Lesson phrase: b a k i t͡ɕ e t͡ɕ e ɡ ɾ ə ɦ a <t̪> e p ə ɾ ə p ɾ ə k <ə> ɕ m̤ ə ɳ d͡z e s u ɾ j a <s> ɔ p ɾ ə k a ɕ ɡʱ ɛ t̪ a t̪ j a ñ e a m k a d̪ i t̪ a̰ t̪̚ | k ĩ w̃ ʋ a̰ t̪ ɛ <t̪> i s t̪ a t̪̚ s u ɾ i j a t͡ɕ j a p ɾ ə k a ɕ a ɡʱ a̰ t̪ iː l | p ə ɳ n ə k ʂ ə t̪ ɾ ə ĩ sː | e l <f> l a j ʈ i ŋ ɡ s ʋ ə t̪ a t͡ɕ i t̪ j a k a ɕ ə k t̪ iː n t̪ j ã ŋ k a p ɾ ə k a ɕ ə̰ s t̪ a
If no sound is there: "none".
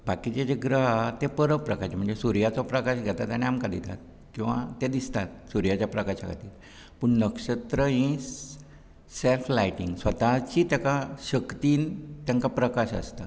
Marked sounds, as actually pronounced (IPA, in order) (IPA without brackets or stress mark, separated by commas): t̪, a, t͡s, d̪, f